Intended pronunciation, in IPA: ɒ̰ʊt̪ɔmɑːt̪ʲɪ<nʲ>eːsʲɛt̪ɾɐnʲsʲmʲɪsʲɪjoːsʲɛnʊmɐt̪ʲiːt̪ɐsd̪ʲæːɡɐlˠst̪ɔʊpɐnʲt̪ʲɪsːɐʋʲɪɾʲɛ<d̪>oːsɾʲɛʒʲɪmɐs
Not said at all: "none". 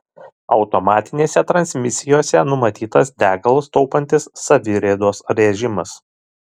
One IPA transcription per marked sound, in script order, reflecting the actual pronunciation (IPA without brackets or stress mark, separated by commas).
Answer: nʲ, d̪